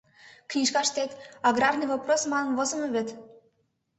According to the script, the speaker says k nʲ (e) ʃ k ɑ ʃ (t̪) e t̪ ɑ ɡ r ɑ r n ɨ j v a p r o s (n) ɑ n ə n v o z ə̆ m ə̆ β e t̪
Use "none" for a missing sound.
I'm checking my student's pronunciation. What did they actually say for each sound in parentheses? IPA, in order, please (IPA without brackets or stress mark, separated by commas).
i, t̪, m